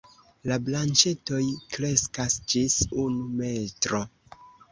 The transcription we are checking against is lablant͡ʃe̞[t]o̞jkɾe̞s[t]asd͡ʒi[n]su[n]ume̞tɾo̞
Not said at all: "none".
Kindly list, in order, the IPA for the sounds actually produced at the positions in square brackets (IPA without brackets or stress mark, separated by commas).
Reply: t, k, none, n